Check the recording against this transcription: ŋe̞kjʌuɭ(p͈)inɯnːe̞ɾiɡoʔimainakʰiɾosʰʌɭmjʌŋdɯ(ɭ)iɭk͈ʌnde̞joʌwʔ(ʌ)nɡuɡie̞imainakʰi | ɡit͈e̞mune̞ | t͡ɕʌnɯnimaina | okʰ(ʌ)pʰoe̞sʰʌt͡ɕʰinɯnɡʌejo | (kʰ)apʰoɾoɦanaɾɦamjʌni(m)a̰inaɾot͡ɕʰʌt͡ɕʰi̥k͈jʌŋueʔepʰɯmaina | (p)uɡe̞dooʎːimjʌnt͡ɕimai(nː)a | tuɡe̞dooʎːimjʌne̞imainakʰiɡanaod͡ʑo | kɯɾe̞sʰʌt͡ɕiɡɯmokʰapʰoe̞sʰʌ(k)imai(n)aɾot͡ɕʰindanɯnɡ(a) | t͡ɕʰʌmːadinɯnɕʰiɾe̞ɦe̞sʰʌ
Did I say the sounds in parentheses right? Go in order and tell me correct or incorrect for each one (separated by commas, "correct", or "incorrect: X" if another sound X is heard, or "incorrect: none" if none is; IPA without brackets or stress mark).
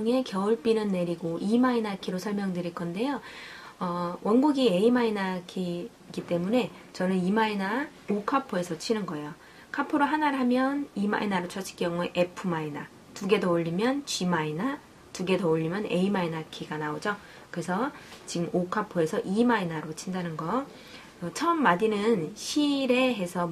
correct, incorrect: ɾ, correct, incorrect: a, correct, correct, incorrect: t, incorrect: n, incorrect: ʔ, correct, incorrect: ʌ